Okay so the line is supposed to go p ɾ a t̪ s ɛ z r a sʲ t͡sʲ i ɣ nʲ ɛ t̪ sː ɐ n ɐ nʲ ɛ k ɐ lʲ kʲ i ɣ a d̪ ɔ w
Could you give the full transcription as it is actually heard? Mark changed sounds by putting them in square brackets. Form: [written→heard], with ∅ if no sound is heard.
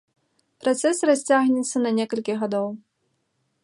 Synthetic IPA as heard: p ɾ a t̪ s ɛ [z→s] r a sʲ t͡sʲ [i→a] ɣ nʲ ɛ t̪ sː ɐ n ɐ nʲ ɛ k ɐ lʲ kʲ i ɣ a d̪ ɔ w